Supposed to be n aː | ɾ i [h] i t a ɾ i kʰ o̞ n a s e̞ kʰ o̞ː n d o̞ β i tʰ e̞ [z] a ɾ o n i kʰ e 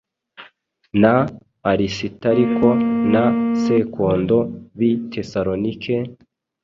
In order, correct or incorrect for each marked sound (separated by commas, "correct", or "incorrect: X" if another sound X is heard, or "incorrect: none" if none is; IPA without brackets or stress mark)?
incorrect: s, incorrect: s